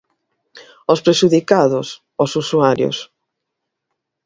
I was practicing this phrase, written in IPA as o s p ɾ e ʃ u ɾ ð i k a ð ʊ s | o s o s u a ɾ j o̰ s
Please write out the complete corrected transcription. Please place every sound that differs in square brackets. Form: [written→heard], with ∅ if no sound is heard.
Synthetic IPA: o s p ɾ e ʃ u [ɾ→∅] ð i k a ð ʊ s | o s [o→u] s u a ɾ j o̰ s